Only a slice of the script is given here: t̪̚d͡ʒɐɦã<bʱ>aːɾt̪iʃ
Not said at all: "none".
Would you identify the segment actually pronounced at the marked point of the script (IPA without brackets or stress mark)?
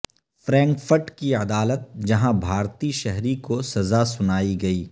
bʱ